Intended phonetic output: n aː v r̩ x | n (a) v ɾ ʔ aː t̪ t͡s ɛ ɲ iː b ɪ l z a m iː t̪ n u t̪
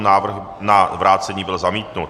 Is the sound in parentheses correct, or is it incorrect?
correct